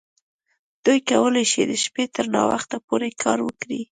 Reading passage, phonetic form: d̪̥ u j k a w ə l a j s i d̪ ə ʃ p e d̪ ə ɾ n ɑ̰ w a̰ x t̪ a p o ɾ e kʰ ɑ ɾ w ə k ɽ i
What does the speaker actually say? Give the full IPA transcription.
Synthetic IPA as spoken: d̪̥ u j k a w ə l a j ʃ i d̪ ə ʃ p e t̪ ə ɾ n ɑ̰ w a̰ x t̪ a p o ɾ e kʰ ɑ ɾ w ə k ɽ i